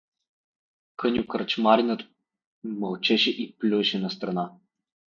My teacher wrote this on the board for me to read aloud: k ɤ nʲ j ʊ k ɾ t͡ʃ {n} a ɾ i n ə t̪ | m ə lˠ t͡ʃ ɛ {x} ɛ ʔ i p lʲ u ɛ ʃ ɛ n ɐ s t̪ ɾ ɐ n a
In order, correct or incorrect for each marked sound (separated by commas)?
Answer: incorrect, incorrect